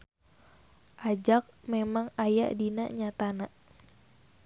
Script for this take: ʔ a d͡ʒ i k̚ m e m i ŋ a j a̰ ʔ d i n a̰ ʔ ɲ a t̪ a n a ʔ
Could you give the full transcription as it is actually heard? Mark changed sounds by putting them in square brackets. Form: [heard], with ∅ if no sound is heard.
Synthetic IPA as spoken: ʔ a d͡ʒ [a] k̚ m e m [a] ŋ a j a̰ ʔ d i n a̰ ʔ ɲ a t̪ a n a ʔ